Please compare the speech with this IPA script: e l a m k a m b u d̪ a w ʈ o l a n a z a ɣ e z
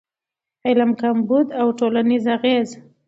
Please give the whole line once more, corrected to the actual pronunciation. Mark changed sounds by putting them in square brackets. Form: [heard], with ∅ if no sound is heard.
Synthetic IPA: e l a m k a m b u d̪ a w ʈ o l a n [i] z a ɣ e z